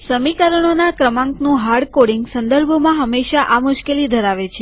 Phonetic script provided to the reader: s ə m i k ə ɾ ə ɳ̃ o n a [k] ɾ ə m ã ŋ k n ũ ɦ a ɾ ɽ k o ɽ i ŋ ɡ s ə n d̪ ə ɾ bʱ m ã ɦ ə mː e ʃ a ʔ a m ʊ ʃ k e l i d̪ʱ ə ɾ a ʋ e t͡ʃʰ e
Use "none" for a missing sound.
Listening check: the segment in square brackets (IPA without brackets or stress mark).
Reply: k